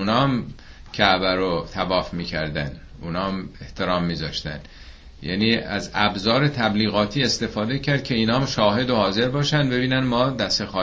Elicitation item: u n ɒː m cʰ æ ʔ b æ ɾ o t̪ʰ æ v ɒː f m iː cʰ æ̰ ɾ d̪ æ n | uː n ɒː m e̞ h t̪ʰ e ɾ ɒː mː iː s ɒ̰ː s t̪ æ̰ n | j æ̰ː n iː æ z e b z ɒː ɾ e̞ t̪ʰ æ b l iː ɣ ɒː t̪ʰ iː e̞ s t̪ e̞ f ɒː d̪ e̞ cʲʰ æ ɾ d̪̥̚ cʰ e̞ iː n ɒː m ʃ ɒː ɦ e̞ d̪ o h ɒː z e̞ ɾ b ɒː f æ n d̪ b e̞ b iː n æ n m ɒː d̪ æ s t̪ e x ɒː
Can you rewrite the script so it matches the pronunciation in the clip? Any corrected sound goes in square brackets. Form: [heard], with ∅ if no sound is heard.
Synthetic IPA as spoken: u n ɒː m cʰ æ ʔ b æ ɾ o t̪ʰ æ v ɒː f m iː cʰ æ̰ ɾ d̪ æ n | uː n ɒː m e̞ h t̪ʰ e ɾ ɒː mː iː [z] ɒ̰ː [ʃ] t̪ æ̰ n | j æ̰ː n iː æ z [æ] b z ɒː ɾ e̞ t̪ʰ æ b l iː ɣ ɒː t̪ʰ iː e̞ s t̪ e̞ f ɒː d̪ e̞ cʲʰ æ ɾ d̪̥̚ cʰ e̞ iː n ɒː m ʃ ɒː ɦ e̞ d̪ o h ɒː z e̞ ɾ b ɒː [ʃ] æ n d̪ b e̞ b iː n æ n m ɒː d̪ æ s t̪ e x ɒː